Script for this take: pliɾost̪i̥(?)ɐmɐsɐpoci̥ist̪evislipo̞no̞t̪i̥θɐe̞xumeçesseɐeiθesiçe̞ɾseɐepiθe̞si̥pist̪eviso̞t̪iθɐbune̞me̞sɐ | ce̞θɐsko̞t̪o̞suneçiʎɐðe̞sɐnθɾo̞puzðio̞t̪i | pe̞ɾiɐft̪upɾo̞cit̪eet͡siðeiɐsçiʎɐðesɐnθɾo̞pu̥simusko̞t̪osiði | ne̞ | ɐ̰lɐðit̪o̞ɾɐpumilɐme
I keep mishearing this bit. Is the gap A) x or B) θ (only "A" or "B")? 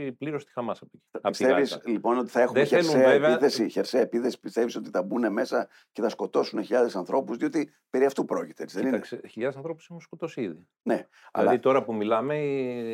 A